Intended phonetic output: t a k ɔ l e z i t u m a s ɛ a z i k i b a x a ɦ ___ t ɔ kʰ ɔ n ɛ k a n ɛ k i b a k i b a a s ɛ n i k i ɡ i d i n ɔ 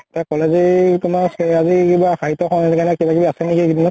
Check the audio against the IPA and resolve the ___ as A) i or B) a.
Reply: A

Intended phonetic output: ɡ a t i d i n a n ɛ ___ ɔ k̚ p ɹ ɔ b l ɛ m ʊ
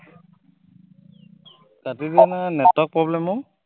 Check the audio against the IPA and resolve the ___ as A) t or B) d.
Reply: A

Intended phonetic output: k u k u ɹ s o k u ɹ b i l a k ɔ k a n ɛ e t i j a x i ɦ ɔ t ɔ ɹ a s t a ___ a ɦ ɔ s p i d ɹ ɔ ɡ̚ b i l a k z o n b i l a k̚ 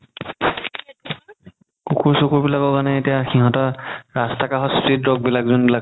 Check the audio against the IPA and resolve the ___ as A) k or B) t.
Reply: A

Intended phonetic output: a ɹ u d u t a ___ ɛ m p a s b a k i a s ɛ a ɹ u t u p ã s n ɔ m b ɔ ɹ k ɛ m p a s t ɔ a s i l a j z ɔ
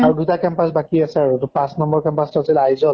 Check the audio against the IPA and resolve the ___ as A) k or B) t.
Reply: A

